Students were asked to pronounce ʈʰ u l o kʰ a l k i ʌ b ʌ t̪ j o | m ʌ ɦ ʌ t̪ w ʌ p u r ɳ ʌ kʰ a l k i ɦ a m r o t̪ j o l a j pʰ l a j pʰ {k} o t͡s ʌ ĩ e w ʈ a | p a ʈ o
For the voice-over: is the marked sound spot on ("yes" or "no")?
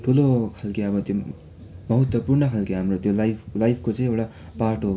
yes